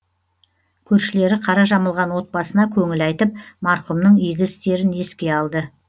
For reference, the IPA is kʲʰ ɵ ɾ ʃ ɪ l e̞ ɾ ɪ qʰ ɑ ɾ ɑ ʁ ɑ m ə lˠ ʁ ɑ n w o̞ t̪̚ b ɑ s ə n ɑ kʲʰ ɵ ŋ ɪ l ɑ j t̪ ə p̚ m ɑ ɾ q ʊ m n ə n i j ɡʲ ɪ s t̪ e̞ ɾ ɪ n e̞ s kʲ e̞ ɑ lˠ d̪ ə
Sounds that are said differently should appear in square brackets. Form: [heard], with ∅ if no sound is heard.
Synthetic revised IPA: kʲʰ ɵ ɾ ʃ ɪ l e̞ ɾ ɪ qʰ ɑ ɾ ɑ [ʒ] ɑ m ə lˠ ʁ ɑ n w o̞ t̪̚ b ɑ s ə n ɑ kʲʰ ɵ ŋ ɪ l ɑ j t̪ ə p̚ m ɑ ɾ q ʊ m n ə [ɴ] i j ɡʲ ɪ s t̪ e̞ ɾ ɪ n e̞ s kʲ e̞ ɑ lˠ d̪ ə